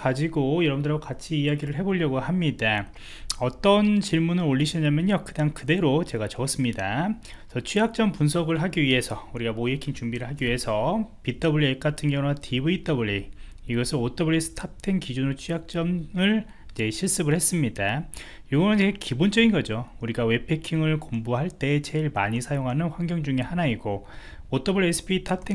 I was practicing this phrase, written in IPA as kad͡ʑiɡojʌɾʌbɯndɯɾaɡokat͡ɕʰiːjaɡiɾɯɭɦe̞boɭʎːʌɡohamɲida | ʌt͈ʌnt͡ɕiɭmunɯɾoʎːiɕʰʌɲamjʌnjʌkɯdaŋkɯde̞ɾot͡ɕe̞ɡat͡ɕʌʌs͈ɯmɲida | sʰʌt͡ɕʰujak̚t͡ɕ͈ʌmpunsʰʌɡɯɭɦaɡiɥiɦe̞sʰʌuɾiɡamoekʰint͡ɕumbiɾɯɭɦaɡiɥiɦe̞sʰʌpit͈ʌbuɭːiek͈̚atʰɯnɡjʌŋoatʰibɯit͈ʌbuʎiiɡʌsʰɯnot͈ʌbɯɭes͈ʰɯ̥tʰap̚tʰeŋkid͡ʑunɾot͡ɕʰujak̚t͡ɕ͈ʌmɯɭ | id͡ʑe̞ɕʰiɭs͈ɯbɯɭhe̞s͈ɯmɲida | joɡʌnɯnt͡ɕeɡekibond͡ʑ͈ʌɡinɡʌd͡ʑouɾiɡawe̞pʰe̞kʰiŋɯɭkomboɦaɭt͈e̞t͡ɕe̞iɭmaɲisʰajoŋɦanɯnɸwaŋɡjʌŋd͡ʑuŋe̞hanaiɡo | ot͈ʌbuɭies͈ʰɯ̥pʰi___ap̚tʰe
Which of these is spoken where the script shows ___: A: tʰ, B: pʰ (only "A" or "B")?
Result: A